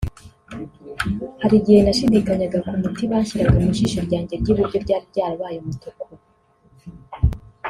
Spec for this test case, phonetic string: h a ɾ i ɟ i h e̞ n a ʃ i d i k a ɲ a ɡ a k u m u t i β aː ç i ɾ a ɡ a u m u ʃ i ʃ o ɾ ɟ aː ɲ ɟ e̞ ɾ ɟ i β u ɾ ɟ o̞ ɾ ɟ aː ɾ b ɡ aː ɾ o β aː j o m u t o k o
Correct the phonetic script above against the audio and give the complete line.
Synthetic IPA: h a ɾ i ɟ i h e̞ n a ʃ i d i k a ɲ a ɡ a k u m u t i β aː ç i ɾ a ɡ a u m u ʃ i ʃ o ɾ ɟ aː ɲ ɟ e̞ ɾ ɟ i β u ɾ ɟ o̞ ɾ ɟ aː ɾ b ɟ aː ɾ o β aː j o m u t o k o